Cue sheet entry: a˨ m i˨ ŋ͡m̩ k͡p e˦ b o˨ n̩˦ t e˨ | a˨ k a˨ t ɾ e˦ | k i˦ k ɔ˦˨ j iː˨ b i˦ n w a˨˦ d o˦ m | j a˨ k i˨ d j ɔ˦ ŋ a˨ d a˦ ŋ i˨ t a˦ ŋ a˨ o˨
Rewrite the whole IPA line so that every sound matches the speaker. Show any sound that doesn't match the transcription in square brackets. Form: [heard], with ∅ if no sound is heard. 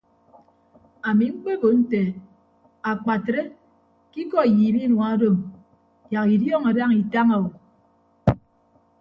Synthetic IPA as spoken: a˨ m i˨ ŋ͡m̩ k͡p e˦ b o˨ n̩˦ t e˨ | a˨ [k͡p] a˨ t ɾ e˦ | k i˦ k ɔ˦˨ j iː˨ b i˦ n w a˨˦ d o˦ m | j a˨ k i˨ d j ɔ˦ ŋ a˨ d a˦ ŋ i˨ t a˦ ŋ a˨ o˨